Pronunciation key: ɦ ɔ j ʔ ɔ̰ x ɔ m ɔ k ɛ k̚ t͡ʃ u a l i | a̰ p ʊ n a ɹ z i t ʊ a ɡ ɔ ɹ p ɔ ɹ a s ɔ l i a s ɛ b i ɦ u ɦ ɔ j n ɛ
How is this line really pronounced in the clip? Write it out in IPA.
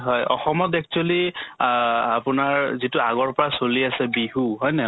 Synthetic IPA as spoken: ɦ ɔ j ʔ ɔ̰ x ɔ m ɔ t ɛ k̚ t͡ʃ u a l i | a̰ p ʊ n a ɹ z i t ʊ a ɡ ɔ ɹ p ɔ ɹ a s o l i a s ɛ b i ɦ u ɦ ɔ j n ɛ